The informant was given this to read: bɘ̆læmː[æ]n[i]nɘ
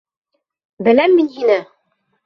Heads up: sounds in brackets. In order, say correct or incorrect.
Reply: incorrect: i, correct

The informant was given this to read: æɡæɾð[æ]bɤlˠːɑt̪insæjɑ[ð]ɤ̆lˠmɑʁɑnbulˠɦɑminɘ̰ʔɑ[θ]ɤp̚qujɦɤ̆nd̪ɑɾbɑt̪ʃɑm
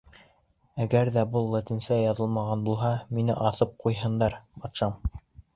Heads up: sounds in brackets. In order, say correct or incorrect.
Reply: correct, correct, correct

